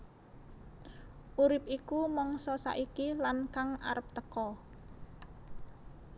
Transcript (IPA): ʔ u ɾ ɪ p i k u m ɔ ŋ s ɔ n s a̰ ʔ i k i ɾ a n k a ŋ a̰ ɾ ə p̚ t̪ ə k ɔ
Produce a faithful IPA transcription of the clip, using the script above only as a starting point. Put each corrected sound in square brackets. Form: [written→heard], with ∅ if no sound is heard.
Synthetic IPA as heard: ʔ u ɾ ɪ p i k u m ɔ ŋ s ɔ [n→∅] s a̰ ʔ i k i [ɾ→l] a n k a ŋ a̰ ɾ ə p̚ t̪ ə k ɔ